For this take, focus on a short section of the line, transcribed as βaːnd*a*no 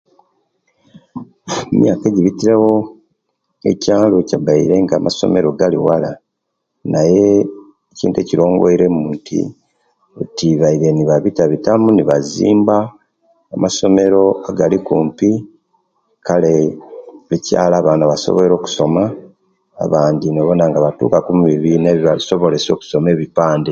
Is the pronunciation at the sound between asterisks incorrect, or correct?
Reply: incorrect